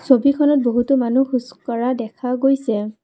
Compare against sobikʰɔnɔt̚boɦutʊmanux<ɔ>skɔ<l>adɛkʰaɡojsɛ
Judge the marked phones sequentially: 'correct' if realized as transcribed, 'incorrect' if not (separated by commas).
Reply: incorrect, incorrect